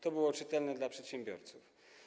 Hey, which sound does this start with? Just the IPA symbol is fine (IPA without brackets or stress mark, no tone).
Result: t̪